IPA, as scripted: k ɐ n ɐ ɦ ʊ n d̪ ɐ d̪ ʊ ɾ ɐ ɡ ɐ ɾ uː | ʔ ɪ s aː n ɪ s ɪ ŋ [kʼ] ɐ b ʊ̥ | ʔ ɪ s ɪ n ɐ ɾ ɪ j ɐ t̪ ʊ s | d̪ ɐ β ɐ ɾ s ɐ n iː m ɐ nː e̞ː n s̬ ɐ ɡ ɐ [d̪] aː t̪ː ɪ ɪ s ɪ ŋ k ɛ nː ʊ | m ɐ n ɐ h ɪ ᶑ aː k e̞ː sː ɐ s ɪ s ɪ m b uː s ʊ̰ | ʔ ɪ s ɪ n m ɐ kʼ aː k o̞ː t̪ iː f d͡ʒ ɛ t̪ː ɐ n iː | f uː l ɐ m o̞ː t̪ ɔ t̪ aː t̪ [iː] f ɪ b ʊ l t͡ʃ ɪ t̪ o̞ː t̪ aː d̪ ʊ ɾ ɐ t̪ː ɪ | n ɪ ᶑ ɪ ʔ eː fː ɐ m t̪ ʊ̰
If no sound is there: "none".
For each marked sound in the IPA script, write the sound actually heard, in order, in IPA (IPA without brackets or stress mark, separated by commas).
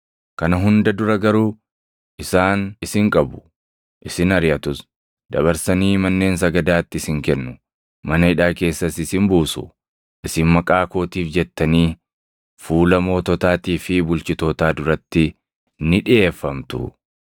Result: kʼ, d̪, iː